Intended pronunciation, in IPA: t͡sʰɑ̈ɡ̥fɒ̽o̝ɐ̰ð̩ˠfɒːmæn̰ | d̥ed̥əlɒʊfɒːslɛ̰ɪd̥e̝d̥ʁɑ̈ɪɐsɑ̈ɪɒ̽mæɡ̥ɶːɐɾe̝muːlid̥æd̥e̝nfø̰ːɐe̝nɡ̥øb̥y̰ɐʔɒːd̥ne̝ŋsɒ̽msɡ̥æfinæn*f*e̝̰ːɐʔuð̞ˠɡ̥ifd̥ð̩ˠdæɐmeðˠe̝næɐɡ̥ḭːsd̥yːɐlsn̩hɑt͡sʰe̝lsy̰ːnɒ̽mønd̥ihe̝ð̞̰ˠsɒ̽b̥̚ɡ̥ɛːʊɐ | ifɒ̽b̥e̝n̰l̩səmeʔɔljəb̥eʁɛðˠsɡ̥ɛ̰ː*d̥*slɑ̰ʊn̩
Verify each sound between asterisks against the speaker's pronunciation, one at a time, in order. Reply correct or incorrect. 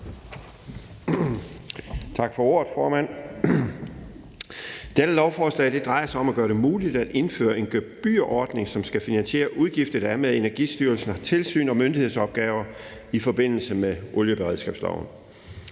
incorrect: ɕ, incorrect: b̥

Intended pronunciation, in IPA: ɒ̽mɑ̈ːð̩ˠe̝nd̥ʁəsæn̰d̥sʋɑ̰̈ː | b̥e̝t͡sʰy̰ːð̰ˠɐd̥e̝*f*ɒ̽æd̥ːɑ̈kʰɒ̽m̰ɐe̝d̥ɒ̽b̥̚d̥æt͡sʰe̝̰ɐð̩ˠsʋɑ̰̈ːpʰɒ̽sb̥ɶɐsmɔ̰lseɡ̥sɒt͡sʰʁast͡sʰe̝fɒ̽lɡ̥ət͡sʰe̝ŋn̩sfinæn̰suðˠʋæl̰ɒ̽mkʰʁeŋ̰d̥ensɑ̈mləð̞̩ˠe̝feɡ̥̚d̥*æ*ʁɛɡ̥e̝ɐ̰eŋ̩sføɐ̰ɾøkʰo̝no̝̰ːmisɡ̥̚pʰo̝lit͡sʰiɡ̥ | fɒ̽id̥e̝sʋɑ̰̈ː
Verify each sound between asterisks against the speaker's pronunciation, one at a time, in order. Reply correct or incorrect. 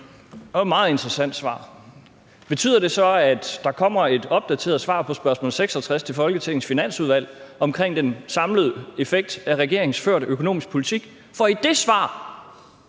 incorrect: s, correct

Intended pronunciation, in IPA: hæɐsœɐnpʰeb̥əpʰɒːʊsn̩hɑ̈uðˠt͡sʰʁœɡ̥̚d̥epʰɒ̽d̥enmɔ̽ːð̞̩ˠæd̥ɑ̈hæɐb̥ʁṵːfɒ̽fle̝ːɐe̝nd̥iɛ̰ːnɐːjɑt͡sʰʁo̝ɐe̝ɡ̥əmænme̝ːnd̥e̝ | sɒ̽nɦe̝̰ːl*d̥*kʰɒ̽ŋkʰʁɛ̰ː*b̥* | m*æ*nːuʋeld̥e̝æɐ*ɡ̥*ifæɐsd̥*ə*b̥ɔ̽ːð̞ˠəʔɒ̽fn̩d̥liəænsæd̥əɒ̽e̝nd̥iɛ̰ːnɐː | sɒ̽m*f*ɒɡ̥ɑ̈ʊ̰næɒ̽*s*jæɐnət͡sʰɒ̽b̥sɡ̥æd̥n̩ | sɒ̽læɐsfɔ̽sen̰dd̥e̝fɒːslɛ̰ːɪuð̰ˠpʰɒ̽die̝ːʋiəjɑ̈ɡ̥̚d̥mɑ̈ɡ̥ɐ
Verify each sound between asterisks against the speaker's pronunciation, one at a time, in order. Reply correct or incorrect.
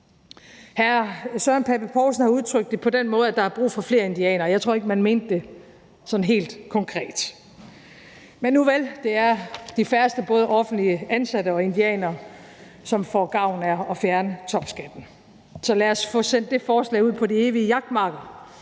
correct, incorrect: d̥, incorrect: e, incorrect: d̥, correct, correct, incorrect: f

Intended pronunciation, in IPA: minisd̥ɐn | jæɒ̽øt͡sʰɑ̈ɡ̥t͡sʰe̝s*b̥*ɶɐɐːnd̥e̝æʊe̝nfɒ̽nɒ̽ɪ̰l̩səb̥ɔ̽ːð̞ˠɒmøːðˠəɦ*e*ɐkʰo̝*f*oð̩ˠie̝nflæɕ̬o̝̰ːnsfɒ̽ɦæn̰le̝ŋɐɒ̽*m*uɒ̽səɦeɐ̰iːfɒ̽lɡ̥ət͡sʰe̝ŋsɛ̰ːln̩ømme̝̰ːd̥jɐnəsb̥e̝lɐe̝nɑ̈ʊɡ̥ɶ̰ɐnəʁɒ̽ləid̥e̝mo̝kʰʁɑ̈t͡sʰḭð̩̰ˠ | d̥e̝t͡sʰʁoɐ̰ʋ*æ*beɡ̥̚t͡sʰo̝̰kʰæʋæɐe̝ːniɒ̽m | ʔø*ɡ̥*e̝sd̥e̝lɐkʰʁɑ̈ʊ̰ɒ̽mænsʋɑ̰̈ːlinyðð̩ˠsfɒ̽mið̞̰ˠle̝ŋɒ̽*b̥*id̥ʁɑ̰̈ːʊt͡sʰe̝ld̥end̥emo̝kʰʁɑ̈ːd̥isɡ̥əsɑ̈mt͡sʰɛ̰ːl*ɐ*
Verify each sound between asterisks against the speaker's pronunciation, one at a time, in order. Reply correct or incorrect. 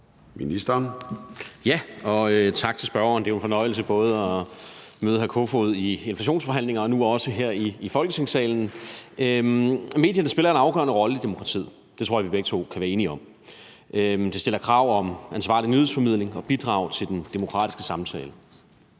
correct, incorrect: æ, correct, incorrect: n, incorrect: i, incorrect: d̥, correct, incorrect: ə

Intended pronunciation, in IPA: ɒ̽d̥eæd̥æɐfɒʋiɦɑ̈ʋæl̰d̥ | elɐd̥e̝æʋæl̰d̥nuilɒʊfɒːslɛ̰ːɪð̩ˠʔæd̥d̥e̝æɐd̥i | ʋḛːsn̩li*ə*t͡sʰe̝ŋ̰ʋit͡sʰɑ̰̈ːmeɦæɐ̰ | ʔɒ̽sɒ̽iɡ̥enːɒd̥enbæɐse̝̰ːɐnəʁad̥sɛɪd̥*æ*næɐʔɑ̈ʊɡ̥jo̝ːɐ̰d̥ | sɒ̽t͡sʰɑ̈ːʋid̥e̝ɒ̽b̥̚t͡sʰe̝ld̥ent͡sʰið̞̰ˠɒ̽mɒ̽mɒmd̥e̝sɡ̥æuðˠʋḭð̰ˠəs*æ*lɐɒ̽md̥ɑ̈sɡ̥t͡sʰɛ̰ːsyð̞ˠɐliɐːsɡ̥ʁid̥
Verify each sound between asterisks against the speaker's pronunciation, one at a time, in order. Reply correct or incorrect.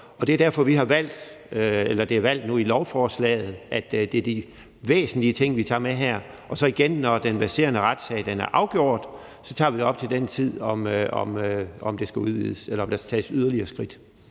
correct, incorrect: e, incorrect: e

